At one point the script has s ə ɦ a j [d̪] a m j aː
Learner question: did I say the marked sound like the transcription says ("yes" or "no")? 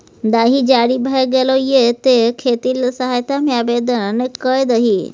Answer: no